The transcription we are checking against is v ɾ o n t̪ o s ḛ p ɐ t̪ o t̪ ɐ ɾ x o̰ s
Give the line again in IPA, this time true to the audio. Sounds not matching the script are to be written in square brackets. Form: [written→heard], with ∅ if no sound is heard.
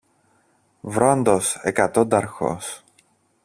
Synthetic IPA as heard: v ɾ o n [t̪→d̪] o s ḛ [p→k] ɐ t̪ o [t̪→d̪] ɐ ɾ x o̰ s